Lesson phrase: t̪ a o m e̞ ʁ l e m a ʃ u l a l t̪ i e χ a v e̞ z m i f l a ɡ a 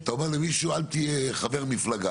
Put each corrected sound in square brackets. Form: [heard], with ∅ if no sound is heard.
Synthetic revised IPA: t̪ a o m e̞ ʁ l e m [i] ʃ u [∅] a l t̪ i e χ a v e̞ [ʁ] m i f l a ɡ a